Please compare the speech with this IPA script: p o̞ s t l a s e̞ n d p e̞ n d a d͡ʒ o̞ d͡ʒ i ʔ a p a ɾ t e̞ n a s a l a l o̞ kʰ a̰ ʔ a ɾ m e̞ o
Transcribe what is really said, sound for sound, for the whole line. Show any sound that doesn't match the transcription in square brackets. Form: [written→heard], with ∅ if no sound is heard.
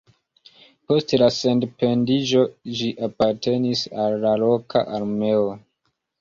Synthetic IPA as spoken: p o̞ s t l a s e̞ n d p e̞ n d [a→i] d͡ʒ o̞ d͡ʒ i ʔ a p a ɾ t e̞ n [a→i] s a [l→lː] a l o̞ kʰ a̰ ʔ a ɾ m e̞ o